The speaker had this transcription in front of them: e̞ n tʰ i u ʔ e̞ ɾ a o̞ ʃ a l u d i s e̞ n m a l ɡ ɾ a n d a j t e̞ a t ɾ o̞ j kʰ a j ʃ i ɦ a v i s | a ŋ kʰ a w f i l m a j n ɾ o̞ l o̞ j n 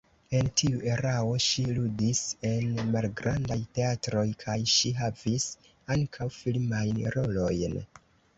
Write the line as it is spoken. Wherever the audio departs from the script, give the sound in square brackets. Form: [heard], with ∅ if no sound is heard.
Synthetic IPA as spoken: e̞ n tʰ i u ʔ e̞ ɾ a o̞ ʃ [i] l u d i s e̞ n m a l ɡ ɾ a n d a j t e̞ a t ɾ o̞ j kʰ a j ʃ i ɦ a v i s | a ŋ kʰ a w f i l m a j n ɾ o̞ l o̞ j n